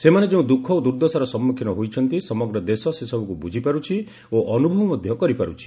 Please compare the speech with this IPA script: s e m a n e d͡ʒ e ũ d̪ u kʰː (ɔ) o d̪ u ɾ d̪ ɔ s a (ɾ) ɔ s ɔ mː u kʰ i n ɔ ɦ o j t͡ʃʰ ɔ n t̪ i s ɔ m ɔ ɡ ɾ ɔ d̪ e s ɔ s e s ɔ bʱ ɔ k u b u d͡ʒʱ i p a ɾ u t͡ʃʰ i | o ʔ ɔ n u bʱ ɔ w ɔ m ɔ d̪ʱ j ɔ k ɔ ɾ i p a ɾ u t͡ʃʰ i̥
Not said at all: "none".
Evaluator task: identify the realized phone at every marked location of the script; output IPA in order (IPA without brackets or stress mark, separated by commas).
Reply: ɔ, ɾ